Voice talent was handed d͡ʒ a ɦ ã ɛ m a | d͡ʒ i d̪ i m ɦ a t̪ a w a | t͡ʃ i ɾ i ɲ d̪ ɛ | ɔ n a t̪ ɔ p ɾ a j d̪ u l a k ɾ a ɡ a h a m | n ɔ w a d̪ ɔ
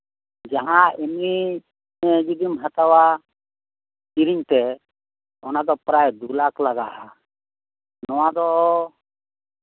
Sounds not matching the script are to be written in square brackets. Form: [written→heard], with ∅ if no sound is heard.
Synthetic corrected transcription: d͡ʒ a ɦ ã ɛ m [a→i] | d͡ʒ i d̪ i m ɦ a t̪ a w a | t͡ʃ i ɾ i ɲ [d̪→t̪] ɛ | ɔ n a [t̪→d̪] ɔ p ɾ a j d̪ u l a k [ɾ→l] a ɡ a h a [m→∅] | n ɔ w a d̪ ɔ